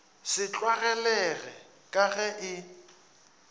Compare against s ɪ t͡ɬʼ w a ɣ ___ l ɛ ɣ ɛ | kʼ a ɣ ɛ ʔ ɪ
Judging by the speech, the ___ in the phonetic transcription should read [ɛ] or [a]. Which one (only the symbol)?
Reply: ɛ